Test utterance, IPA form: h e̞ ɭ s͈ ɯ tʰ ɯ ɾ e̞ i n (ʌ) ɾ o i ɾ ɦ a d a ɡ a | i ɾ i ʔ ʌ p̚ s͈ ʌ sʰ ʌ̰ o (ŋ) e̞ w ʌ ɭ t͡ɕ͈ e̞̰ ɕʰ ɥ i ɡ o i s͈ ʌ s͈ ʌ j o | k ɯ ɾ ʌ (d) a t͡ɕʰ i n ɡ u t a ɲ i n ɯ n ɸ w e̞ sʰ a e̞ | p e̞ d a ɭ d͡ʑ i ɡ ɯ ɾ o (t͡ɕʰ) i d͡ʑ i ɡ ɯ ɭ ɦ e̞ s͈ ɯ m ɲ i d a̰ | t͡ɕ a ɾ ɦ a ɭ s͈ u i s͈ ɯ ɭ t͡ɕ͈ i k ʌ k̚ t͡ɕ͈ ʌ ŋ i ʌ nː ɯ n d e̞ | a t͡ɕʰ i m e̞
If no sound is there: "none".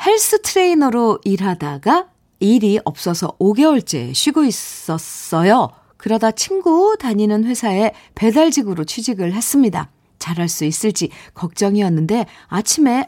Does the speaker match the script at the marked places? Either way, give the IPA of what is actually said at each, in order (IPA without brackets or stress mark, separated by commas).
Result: ʌ, ɡ, d, t͡ɕʰ